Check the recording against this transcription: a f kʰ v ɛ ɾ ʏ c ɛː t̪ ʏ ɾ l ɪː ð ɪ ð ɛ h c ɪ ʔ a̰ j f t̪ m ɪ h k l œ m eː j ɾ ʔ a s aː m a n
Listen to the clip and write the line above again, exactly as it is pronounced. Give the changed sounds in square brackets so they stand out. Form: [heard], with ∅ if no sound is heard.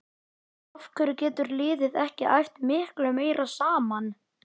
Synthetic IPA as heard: a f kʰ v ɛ ɾ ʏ c ɛː t̪ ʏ ɾ l ɪː ð ɪ ð ɛ h c ɪ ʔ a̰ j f t̪ m ɪ h k l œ m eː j ɾ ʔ a s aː m a n